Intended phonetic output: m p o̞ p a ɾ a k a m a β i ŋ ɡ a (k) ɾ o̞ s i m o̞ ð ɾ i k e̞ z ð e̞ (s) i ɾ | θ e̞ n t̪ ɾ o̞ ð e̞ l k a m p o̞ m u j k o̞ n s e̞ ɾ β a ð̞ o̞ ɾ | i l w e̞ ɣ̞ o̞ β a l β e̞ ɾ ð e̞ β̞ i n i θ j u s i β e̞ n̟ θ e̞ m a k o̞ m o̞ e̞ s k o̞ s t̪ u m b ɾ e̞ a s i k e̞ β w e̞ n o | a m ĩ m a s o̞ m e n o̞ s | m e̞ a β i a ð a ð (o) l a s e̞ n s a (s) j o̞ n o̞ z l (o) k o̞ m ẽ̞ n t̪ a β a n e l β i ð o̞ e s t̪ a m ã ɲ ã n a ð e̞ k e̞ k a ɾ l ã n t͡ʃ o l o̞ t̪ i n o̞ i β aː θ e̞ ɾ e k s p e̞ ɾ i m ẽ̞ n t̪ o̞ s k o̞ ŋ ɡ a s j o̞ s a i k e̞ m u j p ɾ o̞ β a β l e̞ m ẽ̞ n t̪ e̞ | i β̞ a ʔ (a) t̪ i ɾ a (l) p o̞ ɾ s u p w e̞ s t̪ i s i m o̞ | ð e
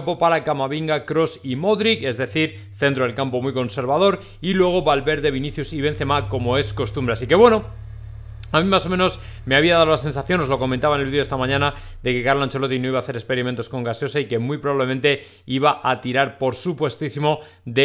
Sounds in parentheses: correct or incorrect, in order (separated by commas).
correct, incorrect, correct, incorrect, correct, correct, incorrect